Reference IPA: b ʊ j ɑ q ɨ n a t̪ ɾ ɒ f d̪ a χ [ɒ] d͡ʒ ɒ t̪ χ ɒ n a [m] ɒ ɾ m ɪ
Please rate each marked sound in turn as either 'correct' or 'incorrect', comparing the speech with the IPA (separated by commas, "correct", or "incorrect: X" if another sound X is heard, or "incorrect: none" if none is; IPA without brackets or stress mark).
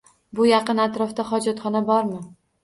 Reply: correct, incorrect: b